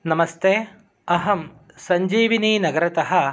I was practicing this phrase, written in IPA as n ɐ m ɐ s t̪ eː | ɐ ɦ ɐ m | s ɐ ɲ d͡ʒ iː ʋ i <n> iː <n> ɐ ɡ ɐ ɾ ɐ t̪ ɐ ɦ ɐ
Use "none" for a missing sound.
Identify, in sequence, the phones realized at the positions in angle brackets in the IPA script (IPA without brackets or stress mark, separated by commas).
n, n